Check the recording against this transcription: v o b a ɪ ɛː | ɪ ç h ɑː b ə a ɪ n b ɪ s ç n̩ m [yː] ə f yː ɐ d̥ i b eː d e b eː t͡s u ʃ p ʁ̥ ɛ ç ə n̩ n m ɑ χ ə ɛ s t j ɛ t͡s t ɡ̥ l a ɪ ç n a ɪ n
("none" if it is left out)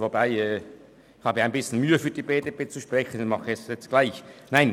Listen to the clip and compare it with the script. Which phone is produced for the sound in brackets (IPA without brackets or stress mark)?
yː